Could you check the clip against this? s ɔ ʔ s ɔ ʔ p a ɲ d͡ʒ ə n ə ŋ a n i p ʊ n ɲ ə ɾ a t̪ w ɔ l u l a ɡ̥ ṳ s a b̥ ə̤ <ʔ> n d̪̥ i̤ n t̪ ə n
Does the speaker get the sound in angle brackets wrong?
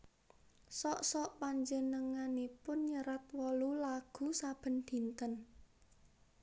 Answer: yes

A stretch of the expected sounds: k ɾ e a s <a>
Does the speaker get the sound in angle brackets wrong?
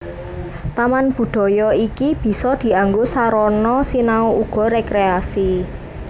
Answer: yes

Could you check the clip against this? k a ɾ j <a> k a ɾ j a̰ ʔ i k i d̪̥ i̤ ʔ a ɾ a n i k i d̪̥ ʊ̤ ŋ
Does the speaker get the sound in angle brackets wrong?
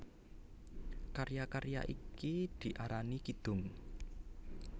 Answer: no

